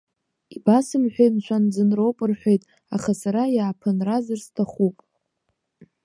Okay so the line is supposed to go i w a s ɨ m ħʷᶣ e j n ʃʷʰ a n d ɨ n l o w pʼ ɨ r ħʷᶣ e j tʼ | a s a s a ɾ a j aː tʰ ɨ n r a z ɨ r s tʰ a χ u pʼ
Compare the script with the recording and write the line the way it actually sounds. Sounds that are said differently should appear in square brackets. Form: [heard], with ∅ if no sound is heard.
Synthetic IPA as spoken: i [b] a s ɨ m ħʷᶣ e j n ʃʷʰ a n [d͡z] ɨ n [r] o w pʼ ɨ r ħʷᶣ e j tʼ | a [χ] a s a ɾ a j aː [pʰ] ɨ n r a z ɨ r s tʰ a χ u pʼ